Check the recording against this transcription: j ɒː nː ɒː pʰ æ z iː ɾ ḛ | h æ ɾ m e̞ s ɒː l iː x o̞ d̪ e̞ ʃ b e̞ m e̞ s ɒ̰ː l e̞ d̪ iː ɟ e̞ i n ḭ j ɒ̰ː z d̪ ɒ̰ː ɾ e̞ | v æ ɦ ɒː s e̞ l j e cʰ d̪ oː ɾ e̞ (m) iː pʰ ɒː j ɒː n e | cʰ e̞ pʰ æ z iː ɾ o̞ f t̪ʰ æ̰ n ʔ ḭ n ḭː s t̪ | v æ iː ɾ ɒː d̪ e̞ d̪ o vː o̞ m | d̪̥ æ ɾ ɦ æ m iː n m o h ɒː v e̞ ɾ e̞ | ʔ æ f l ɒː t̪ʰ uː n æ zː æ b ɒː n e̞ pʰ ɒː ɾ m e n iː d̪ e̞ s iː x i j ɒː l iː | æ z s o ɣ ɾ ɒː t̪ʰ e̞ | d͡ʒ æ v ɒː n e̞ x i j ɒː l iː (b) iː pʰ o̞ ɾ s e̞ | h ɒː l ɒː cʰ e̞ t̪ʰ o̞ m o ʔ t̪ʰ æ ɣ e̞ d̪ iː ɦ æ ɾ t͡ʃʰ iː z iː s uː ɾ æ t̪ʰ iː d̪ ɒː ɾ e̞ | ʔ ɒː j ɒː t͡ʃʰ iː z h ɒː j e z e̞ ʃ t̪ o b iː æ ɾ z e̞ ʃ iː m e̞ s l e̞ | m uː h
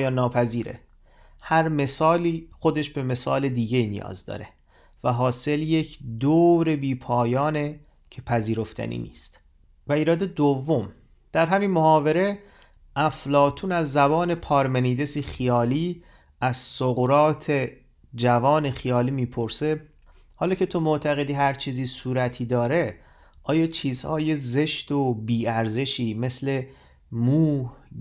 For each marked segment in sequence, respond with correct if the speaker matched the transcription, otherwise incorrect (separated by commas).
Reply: incorrect, incorrect